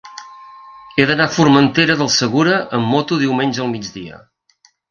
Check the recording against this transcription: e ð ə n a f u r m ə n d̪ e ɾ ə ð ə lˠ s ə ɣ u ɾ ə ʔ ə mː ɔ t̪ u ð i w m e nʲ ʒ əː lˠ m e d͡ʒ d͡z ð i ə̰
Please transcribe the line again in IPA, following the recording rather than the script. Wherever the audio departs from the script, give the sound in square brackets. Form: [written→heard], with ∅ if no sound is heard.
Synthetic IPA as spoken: e ð ə n a f u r m ə n [d̪→t̪] e ɾ ə ð ə lˠ s ə ɣ u ɾ ə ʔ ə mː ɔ t̪ u ð i w m e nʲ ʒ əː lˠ m [e→i] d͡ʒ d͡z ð i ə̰